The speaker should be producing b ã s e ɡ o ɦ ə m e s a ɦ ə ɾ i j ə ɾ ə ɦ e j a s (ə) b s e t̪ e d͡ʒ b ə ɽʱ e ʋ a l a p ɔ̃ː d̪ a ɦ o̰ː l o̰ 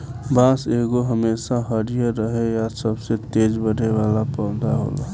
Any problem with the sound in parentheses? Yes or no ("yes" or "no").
no